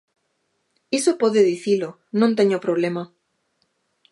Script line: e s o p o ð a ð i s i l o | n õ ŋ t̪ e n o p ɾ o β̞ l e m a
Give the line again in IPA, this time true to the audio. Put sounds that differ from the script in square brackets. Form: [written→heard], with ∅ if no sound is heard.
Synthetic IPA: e s o p o ð [a→e] ð i [s→θ] i l o | n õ [ŋ→n] t̪ e [n→ɲ] o p ɾ o β̞ l e m a